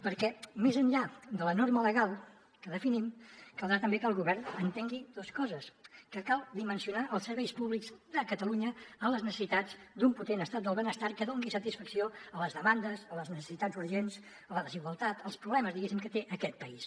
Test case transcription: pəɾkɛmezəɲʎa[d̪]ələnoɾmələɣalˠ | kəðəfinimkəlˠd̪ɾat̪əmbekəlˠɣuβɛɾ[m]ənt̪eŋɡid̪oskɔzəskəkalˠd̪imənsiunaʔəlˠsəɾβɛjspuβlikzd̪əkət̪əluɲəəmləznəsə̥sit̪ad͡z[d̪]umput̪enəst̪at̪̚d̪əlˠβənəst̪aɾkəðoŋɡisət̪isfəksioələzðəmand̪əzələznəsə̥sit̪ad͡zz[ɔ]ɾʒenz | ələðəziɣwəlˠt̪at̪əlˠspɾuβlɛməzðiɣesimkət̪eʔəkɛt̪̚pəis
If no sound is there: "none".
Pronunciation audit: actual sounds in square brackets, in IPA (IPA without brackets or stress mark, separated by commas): d̪, n, d̪, u